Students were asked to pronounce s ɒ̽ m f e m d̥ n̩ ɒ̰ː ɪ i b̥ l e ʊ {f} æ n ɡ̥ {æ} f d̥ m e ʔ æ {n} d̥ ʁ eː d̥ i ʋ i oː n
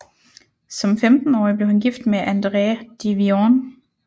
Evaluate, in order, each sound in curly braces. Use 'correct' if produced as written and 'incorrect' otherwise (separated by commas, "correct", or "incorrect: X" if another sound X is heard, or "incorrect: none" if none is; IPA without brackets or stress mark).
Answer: incorrect: h, incorrect: i, correct